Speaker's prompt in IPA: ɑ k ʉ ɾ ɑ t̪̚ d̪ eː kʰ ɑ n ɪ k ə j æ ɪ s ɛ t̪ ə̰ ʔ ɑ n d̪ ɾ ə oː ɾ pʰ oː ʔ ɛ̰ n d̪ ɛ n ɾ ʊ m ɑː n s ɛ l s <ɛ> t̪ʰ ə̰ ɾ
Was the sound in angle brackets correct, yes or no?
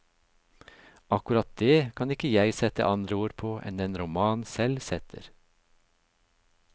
yes